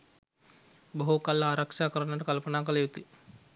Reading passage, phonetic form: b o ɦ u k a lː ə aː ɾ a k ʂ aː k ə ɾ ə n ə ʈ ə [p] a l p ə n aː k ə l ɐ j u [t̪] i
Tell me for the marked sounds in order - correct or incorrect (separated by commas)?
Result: incorrect, correct